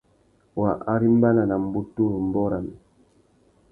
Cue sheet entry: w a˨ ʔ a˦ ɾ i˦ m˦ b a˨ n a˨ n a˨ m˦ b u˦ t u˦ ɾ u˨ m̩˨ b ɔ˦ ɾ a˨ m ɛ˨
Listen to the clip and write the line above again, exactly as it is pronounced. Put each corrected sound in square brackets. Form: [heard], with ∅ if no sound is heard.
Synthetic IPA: w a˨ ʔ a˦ ɾ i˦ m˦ b [a˦] n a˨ n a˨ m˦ b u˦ t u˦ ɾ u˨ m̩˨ b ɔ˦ ɾ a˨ m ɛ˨